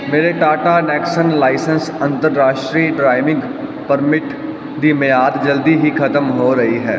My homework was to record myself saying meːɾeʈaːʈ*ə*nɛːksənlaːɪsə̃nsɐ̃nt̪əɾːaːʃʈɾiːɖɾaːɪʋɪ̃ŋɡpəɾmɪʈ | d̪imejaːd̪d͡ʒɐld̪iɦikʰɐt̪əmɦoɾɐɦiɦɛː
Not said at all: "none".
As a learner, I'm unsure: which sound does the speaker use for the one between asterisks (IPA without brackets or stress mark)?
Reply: a